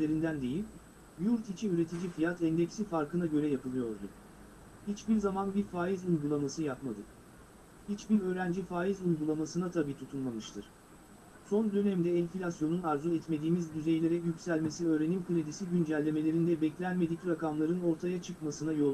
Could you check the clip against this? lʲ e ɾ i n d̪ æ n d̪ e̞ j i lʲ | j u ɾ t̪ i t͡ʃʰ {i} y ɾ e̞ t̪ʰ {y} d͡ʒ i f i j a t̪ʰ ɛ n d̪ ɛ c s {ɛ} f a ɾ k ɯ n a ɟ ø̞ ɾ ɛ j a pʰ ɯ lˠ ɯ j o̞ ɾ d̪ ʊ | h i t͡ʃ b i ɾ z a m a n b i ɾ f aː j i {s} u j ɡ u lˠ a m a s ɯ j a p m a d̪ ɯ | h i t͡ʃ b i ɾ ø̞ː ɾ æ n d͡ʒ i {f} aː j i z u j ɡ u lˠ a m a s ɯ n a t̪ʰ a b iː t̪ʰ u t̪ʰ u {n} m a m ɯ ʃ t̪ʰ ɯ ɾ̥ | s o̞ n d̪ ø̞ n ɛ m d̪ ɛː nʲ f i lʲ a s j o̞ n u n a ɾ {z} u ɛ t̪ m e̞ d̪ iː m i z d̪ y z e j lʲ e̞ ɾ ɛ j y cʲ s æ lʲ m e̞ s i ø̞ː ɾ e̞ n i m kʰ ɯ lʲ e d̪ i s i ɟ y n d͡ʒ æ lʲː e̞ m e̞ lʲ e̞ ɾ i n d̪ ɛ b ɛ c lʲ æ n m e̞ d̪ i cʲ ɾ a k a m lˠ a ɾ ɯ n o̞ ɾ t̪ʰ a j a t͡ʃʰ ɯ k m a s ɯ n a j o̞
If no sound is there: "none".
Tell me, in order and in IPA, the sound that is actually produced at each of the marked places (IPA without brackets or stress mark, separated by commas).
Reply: i, i, i, z, f, n, z